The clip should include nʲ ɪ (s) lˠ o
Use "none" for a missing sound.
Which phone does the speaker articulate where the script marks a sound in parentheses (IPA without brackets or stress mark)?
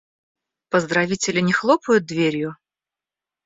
x